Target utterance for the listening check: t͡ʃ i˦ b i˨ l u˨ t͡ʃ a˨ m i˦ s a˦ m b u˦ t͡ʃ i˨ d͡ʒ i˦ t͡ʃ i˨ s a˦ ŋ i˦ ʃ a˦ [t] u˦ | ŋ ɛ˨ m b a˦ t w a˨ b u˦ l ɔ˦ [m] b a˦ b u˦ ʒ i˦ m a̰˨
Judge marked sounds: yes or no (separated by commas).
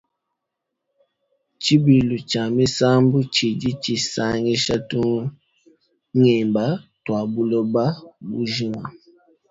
yes, no